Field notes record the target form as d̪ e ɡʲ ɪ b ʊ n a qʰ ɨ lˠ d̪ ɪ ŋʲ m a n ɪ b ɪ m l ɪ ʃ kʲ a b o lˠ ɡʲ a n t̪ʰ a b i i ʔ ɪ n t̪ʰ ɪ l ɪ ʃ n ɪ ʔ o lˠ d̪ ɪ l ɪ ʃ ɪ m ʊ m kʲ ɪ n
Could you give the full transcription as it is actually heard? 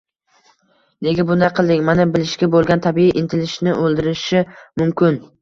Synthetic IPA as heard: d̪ e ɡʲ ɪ b ʊ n a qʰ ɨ lˠ d̪ ɪ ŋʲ m a n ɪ b ɪ l ɪ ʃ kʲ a b o lˠ ɡʲ a n t̪ʰ a b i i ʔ ɪ n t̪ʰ ɪ l ɪ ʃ n ɪ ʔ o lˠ d̪ ɪ ɾ ɪ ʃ ɪ m ʊ m kʲ ɪ n